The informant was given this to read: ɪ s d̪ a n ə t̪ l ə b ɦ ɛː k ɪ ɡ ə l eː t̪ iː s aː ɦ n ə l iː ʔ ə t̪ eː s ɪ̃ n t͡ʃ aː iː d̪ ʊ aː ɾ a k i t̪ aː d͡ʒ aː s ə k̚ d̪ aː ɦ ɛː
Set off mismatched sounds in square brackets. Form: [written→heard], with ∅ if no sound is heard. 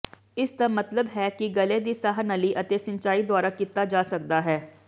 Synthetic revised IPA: ɪ s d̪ a [n→m] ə t̪ l ə b ɦ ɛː k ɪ ɡ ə l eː [t̪→d̪] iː s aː ɦ n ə l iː ʔ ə t̪ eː s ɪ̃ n t͡ʃ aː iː d̪ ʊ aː ɾ a k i t̪ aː d͡ʒ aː s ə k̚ d̪ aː ɦ ɛː

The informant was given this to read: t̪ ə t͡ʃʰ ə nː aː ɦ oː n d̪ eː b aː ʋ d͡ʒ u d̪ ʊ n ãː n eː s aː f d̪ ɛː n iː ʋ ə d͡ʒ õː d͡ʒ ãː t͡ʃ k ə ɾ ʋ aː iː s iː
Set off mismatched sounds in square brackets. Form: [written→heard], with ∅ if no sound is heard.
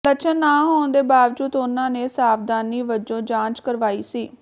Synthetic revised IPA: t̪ ə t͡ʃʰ ə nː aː ɦ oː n d̪ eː b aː ʋ d͡ʒ [u→uː] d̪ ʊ n ãː n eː s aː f d̪ [ɛː→aː] n iː ʋ ə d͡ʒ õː d͡ʒ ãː t͡ʃ k ə ɾ ʋ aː iː s iː

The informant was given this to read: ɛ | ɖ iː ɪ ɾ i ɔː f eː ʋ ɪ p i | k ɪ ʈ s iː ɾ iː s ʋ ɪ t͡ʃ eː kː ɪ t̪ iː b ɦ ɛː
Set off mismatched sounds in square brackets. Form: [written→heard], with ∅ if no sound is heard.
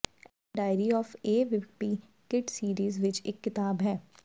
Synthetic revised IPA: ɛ | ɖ [iː→aː] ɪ ɾ i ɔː f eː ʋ ɪ p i | k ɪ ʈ s iː ɾ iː [s→z] ʋ ɪ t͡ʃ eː kː ɪ t̪ [iː→aː] b ɦ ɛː

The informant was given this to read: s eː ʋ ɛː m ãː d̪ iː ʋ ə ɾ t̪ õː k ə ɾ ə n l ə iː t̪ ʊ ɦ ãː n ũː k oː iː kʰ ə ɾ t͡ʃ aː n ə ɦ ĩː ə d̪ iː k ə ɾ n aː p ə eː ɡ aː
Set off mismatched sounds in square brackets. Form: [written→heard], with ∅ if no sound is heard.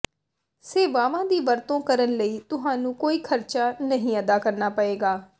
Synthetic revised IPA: s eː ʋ [ɛː→aː] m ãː d̪ iː ʋ ə ɾ t̪ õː k ə ɾ ə n l ə iː t̪ ʊ ɦ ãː n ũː k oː iː kʰ ə ɾ t͡ʃ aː n ə ɦ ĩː ə d̪ [iː→aː] k ə ɾ n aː p ə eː ɡ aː

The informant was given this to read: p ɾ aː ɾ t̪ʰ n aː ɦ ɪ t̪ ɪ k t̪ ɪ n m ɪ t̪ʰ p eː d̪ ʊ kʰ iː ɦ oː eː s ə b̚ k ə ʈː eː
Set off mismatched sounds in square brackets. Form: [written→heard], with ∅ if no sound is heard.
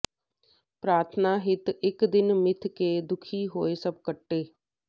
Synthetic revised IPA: p ɾ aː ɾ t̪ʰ n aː ɦ ɪ t̪ ɪ k [t̪→d̪] ɪ n m ɪ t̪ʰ [p→k] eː d̪ ʊ kʰ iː ɦ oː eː s ə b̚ k ə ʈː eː

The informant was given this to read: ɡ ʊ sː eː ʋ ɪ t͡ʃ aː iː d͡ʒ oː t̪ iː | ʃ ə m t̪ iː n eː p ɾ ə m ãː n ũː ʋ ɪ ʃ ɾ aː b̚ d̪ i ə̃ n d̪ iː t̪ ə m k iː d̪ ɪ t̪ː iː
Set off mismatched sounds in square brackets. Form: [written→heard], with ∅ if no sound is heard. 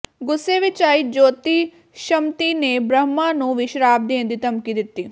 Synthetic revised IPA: ɡ ʊ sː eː ʋ ɪ t͡ʃ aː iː d͡ʒ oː t̪ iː | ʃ ə m t̪ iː n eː [p→b] ɾ ə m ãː n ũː ʋ ɪ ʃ ɾ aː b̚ d̪ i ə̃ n d̪ iː t̪ ə m k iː d̪ ɪ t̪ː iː

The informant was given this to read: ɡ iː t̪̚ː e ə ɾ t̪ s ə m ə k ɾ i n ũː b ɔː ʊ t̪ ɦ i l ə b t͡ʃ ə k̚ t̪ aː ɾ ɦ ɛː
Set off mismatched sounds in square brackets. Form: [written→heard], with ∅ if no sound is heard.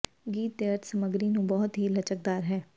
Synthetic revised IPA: ɡ iː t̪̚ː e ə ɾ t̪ s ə m ə [k→ɡ] ɾ i n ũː b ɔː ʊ t̪ ɦ i l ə [b→∅] t͡ʃ ə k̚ [t̪→d̪] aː ɾ ɦ ɛː

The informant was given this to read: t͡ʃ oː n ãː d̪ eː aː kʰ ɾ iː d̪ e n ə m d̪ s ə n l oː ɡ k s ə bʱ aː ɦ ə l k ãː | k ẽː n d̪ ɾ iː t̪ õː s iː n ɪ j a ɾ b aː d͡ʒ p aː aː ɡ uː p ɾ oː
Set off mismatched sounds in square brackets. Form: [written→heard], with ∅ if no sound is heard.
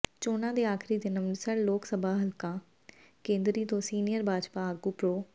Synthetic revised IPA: t͡ʃ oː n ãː d̪ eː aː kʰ ɾ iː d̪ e n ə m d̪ s ə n l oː [ɡ→∅] k s ə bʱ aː ɦ ə l k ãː | k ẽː n d̪ ɾ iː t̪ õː s iː n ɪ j [a→ə] ɾ b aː d͡ʒ p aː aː ɡ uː p ɾ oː

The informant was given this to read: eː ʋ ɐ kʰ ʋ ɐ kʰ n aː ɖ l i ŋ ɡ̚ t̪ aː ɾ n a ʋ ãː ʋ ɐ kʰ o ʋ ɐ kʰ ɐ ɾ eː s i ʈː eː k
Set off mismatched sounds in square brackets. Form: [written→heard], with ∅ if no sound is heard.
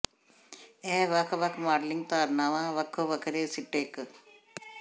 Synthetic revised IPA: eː ʋ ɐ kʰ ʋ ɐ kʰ [n→m] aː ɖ l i ŋ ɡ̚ t̪ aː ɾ n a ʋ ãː ʋ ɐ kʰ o ʋ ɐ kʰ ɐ ɾ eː s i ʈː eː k

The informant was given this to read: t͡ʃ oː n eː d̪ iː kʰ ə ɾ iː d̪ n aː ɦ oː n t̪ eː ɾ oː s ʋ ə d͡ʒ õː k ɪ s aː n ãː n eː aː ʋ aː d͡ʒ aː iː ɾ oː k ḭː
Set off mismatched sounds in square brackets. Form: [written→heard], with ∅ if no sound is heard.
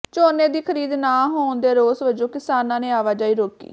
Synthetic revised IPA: t͡ʃ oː n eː d̪ iː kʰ ə ɾ iː d̪ n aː ɦ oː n [t̪→d̪] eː ɾ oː s ʋ ə d͡ʒ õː k ɪ s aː n ãː n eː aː ʋ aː d͡ʒ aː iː ɾ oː k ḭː

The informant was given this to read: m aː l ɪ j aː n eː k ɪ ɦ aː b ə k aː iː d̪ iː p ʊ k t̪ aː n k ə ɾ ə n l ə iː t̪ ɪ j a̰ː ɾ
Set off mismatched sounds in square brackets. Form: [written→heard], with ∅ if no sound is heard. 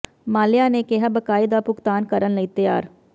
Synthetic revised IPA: m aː l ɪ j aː n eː k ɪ ɦ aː b ə k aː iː d̪ [iː→aː] p ʊ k t̪ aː n k ə ɾ ə n l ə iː t̪ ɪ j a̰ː ɾ

